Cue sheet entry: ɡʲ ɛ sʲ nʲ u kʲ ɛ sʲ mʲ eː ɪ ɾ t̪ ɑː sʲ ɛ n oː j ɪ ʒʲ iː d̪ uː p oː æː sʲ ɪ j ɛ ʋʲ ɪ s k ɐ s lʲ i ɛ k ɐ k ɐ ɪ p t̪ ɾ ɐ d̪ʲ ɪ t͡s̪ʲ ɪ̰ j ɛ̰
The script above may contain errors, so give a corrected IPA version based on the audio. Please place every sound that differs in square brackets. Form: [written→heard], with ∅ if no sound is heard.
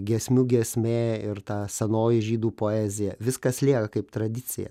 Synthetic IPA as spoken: ɡʲ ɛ sʲ [nʲ→mʲ] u [kʲ→ɡʲ] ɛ sʲ mʲ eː ɪ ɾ t̪ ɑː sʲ ɛ n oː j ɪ ʒʲ iː d̪ uː p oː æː [sʲ→zʲ] ɪ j ɛ ʋʲ ɪ s k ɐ s lʲ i ɛ k ɐ k ɐ ɪ p t̪ ɾ ɐ d̪ʲ ɪ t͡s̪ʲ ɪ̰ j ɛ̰